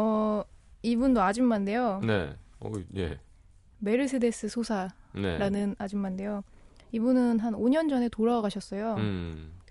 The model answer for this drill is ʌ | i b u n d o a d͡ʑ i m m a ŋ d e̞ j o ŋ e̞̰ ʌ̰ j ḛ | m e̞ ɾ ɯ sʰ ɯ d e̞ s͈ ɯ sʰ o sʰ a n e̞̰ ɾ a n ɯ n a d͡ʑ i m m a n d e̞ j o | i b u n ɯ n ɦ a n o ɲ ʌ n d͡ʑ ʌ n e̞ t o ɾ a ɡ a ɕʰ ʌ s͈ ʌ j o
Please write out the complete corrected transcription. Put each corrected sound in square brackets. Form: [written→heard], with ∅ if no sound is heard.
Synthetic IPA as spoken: ʌ | i b u n d o a d͡ʑ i m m a [ŋ→n] d e̞ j o [ŋ→n] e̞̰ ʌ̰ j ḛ | m e̞ ɾ ɯ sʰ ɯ d e̞ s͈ ɯ sʰ o sʰ a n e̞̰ ɾ a n ɯ n a d͡ʑ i m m a n d e̞ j o | i b u n ɯ n ɦ a n o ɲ ʌ n d͡ʑ ʌ n e̞ t o ɾ a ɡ a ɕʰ ʌ s͈ ʌ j o